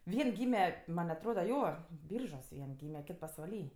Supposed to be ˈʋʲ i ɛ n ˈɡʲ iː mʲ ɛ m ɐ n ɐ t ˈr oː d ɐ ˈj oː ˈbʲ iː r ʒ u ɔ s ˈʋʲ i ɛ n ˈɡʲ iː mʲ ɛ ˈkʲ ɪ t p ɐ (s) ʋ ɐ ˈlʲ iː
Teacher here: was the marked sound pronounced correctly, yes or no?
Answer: yes